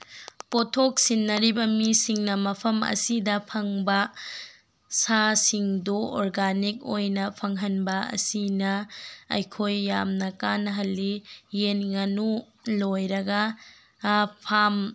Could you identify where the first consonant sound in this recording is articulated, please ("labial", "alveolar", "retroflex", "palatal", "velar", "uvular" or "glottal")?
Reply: labial